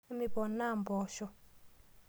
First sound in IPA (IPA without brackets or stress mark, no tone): m